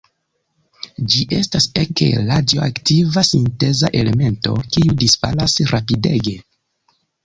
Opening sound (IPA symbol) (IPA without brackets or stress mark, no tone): d͡ʒ